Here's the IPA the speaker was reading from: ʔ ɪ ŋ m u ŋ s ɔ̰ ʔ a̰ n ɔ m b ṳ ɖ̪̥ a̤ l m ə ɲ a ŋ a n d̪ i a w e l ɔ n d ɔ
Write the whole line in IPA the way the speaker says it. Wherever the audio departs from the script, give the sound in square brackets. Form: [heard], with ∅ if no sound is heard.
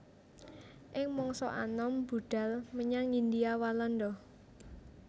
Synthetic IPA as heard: ʔ ɪ ŋ m [ɔ] ŋ s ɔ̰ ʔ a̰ n ɔ m b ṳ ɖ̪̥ a̤ l m ə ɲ a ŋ [i] n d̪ i a w [a] l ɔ n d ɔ